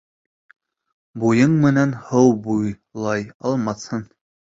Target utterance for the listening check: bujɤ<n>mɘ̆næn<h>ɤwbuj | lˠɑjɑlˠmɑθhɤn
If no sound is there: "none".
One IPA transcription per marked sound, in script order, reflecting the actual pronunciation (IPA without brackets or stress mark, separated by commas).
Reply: ɴ, h